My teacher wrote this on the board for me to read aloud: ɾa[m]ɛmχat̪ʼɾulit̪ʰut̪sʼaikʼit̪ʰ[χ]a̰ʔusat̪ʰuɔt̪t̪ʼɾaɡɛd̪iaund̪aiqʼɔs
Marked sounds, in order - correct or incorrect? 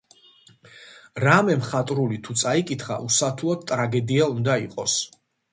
correct, correct

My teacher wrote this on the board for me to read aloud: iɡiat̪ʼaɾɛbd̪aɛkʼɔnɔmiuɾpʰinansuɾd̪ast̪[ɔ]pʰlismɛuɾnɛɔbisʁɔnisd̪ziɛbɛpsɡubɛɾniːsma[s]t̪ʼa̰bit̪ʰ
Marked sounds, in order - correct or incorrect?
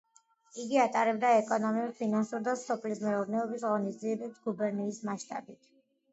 correct, incorrect

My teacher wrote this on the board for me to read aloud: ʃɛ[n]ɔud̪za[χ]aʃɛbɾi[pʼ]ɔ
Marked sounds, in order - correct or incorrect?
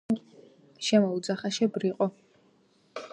incorrect, correct, incorrect

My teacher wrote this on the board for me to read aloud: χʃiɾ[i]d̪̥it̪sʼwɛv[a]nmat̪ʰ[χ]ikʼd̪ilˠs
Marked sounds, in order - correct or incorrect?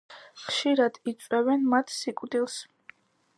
incorrect, incorrect, incorrect

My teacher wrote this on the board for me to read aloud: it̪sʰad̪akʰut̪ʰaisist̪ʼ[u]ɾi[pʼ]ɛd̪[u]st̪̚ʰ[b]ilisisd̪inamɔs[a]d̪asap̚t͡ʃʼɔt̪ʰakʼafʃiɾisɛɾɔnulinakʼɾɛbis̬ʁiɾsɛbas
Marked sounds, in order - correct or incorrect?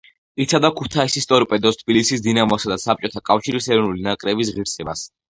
incorrect, correct, incorrect, correct, correct

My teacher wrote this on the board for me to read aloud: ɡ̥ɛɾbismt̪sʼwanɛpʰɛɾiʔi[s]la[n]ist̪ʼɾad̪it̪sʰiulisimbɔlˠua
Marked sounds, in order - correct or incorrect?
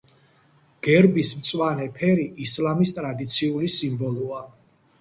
correct, incorrect

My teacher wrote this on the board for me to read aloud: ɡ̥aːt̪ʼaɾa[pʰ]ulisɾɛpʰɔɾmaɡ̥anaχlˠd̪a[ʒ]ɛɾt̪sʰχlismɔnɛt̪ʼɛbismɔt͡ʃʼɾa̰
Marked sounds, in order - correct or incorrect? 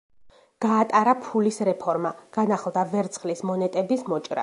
correct, incorrect

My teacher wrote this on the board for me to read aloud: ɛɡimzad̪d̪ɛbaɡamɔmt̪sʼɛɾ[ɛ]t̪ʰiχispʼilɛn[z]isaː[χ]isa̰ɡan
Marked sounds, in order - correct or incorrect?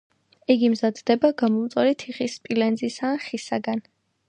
incorrect, correct, correct

